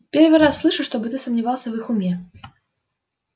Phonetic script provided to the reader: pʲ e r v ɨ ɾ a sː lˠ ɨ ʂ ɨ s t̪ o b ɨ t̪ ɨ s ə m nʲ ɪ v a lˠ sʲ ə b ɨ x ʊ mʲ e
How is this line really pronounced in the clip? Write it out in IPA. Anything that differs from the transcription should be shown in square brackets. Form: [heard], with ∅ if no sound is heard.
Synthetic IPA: pʲ e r v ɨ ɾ a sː lˠ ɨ ʂ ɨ [ʂ] t̪ o b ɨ t̪ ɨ s ə m nʲ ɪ v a lˠ sʲ ə [v] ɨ x ʊ mʲ e

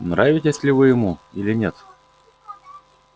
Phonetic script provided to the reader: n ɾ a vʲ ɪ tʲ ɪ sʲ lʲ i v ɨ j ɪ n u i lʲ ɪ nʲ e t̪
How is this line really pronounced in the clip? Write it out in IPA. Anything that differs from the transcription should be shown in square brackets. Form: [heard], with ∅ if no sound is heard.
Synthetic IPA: n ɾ a vʲ ɪ tʲ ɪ sʲ lʲ [ɪ] v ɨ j ɪ [m] u i lʲ ɪ nʲ e t̪

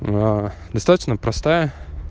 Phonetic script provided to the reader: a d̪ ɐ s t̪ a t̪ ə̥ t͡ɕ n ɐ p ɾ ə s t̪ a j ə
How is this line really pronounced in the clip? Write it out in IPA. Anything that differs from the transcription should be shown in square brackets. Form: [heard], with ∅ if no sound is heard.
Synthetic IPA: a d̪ ɐ s t̪ a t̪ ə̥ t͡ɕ n [ə] p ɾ [ɐ] s t̪ a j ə

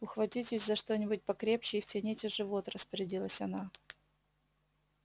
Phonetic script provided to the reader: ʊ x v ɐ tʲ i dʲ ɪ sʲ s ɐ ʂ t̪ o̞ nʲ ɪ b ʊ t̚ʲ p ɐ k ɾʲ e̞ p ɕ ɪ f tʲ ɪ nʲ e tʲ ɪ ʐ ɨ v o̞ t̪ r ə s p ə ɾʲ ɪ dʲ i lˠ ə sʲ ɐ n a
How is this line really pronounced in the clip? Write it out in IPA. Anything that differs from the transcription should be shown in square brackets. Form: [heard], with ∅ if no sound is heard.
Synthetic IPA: ʊ x v ɐ tʲ i [tʲ] ɪ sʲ [z] ɐ ʂ t̪ o̞ nʲ ɪ b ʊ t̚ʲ p ɐ k ɾʲ e̞ p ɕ ɪ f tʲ ɪ nʲ e tʲ ɪ ʐ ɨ v o̞ t̪ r ə s p ə ɾʲ ɪ dʲ i lˠ ə sʲ ɐ n a

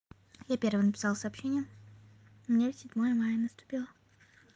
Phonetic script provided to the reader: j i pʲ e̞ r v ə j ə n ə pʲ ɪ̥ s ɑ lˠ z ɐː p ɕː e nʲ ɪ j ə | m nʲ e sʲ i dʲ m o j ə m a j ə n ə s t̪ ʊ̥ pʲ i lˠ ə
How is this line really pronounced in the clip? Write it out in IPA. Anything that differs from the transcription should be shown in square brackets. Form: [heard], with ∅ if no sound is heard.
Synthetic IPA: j [a] pʲ e̞ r v ə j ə n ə pʲ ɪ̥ s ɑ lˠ [s] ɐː p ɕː e nʲ ɪ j ə | m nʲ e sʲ [ɪ] dʲ m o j ə m a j ə n ə s t̪ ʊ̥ pʲ i lˠ ə

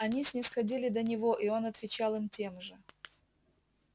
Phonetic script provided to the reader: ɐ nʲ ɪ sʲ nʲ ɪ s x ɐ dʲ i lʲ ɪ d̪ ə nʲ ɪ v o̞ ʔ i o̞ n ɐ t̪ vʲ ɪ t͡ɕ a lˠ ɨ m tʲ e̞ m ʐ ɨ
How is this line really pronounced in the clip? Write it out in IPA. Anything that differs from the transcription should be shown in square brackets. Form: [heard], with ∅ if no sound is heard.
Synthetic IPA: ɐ nʲ [i] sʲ nʲ ɪ s x ɐ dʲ i lʲ ɪ d̪ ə nʲ ɪ v o̞ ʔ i o̞ n ɐ t̪ vʲ ɪ t͡ɕ a lˠ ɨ m tʲ e̞ m ʐ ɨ

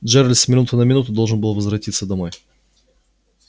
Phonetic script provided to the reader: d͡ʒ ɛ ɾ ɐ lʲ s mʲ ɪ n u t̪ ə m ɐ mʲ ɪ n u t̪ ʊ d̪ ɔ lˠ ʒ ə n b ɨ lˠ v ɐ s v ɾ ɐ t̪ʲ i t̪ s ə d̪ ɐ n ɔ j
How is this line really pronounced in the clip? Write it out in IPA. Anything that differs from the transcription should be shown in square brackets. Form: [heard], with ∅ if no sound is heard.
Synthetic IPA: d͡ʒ ɛ ɾ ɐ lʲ s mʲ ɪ n u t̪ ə [n] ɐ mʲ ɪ n u t̪ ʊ d̪ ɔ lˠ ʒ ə n b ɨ lˠ v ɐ [z] v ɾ ɐ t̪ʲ i t̪ s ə d̪ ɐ [m] ɔ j

